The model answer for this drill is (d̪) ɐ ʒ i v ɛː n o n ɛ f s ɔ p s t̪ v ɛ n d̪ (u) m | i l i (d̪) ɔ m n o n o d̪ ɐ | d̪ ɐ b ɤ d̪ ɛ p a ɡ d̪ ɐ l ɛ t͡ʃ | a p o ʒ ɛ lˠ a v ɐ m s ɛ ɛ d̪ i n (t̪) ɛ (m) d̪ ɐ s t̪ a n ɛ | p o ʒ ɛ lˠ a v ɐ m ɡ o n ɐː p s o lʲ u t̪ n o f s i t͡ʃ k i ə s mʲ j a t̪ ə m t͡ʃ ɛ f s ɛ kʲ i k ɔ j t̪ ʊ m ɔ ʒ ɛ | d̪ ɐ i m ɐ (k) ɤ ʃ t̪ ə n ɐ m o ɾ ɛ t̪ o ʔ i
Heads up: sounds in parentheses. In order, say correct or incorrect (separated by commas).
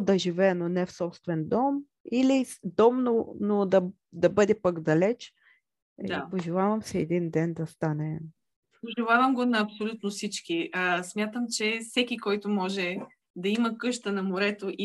correct, incorrect, correct, incorrect, incorrect, correct